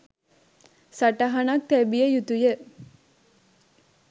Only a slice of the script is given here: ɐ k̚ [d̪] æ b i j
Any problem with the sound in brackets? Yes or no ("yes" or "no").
yes